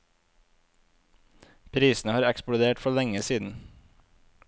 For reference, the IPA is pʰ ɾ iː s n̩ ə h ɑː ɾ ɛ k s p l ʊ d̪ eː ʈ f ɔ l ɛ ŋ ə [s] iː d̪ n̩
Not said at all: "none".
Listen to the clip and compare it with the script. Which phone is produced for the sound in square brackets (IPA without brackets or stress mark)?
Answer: s